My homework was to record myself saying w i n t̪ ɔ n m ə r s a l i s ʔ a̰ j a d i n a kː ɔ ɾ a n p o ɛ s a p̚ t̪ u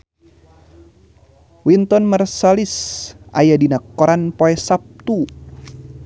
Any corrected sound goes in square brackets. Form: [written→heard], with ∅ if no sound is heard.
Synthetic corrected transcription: w i n t̪ ɔ n m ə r s a l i s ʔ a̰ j a d i n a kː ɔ ɾ a n p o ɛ s a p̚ t̪ u